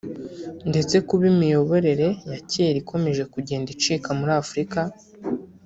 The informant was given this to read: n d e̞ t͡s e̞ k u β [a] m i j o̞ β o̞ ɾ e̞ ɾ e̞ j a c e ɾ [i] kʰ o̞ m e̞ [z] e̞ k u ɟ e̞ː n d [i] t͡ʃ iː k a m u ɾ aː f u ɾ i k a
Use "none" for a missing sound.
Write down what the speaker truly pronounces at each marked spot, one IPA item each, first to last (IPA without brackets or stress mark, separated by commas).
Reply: i, i, ʒ, i